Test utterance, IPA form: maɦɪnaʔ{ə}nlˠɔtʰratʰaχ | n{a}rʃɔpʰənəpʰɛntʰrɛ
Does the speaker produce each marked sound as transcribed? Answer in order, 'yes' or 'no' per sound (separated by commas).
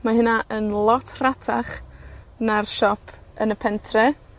yes, yes